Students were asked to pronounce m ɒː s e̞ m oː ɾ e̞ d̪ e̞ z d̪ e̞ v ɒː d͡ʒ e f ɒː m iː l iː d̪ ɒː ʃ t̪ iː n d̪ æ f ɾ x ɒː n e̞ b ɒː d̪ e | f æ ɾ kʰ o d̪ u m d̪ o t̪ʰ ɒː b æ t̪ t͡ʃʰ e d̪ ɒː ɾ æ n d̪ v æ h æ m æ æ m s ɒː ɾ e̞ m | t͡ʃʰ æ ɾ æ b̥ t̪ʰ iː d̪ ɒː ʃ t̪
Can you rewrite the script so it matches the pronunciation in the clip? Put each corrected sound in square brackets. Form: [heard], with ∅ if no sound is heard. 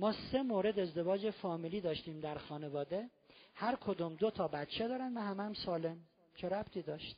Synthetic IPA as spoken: m ɒː s e̞ m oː ɾ e̞ d̪ e̞ z d̪ e̞ v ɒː d͡ʒ e f ɒː m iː l iː d̪ ɒː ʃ t̪ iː [m] d̪ æ [∅] ɾ x ɒː n e̞ [v] ɒː d̪ e | [h] æ ɾ kʰ o d̪ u m d̪ o t̪ʰ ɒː b æ t̪ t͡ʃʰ e d̪ ɒː ɾ æ n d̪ v æ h æ m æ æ m s ɒː [l] e̞ m | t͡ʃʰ [e] ɾ æ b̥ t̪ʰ iː d̪ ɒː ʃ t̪